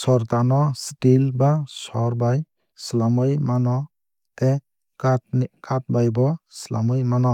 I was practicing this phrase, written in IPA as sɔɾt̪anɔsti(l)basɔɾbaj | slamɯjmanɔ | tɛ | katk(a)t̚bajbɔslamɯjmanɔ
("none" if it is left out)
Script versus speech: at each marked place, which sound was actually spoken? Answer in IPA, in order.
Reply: l, a

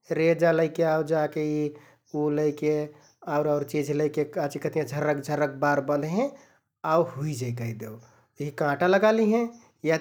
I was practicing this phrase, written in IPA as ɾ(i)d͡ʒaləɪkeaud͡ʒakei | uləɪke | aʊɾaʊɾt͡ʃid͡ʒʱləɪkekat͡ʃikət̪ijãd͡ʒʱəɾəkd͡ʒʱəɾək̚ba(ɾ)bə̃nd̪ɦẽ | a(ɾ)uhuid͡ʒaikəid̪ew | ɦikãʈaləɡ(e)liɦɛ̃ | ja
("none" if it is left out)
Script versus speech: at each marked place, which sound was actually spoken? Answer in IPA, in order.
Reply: e, ɾ, none, a

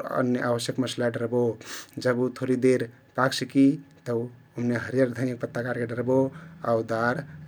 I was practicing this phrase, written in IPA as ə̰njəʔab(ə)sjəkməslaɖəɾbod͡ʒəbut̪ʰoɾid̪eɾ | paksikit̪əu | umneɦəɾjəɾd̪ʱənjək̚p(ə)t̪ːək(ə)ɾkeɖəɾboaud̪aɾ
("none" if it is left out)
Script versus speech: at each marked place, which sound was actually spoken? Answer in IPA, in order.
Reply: ə, ə, a

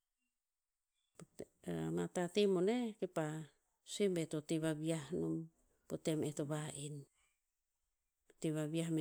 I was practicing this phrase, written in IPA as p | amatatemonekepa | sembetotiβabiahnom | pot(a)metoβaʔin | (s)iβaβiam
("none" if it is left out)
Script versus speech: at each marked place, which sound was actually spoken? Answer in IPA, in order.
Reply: e, t

